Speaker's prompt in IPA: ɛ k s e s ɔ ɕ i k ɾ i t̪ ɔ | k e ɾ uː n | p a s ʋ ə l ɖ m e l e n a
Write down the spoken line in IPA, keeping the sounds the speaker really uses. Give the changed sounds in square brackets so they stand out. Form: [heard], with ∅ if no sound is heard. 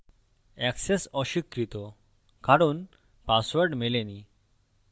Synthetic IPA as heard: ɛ k s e s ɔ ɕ i k ɾ i t̪ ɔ | k [a] ɾ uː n | p a s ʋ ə [ɾ] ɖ m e l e n [i]